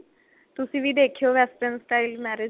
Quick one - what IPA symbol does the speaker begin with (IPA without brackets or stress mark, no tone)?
t̪